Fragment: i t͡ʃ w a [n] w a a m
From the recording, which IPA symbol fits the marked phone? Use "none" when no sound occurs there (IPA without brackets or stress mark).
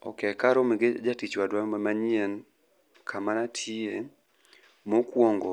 d